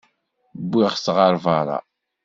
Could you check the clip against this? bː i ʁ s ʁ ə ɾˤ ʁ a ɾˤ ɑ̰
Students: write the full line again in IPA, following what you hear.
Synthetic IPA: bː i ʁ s ʁ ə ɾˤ v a ɾˤ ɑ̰